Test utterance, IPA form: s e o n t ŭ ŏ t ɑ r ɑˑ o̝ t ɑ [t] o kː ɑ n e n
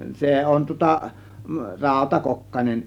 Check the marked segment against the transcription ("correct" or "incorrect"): incorrect